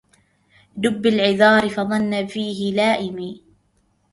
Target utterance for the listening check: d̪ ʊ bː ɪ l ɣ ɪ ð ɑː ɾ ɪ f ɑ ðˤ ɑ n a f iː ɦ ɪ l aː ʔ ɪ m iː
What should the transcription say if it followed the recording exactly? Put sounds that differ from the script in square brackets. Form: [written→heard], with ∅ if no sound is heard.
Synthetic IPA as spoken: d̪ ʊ bː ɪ l [ɣ→ʕ] ɪ ð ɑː ɾ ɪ f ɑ ðˤ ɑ [n→nː] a f iː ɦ ɪ l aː ʔ ɪ m iː